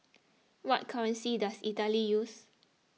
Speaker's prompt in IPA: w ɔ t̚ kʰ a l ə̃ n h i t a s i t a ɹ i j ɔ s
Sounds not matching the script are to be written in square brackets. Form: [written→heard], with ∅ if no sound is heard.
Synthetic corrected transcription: w ɔ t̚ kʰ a [l→ɹ] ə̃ n [h→s] i [t→d] a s i t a [ɹ→l] i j [ɔ→u] s